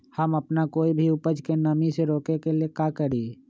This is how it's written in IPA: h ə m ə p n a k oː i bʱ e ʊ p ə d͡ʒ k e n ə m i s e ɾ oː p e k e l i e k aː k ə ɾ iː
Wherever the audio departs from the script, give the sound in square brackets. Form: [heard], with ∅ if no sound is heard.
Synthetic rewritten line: h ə m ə p n a k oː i bʱ [i] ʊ p ə d͡ʒ k e n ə m i s e ɾ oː [k] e k e l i e k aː k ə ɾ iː